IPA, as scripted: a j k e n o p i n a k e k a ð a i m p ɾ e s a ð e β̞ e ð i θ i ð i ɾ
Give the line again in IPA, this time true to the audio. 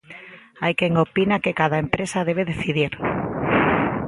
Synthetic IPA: a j k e ŋ o p i n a k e k a ð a e m p ɾ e s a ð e β̞ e ð e θ i ð i ɾ